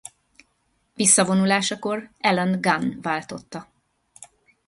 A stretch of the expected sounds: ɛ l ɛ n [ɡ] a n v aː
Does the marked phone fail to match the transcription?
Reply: no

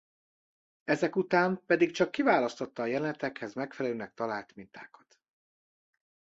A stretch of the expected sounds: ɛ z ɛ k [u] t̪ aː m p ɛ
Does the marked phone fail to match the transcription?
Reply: no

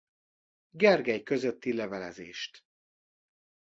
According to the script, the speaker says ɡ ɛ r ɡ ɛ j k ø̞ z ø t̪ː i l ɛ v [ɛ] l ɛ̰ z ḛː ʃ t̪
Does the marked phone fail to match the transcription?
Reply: no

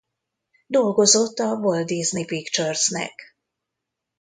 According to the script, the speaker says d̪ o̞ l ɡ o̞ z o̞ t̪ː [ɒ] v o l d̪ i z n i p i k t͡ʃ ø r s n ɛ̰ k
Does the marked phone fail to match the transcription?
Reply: no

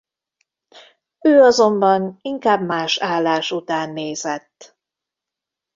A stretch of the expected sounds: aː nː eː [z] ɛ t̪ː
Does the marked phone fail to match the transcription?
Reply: no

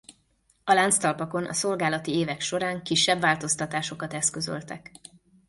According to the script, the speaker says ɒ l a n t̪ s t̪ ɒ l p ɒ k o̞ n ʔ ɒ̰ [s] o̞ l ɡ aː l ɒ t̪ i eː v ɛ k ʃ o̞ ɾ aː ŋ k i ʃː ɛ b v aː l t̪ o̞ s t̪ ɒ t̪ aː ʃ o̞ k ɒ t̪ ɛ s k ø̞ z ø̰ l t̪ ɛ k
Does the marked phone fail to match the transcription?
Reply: no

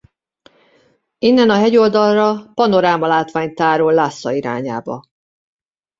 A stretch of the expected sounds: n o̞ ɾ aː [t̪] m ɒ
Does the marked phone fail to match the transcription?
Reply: yes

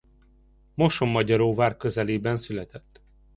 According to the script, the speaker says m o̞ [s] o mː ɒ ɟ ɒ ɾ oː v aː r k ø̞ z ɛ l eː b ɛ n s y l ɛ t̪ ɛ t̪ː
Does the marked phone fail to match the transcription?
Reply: yes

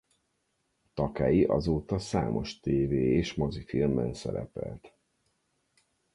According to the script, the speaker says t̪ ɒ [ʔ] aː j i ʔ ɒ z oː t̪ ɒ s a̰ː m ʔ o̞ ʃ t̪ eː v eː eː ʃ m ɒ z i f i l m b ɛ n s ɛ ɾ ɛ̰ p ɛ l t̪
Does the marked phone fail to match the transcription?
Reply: yes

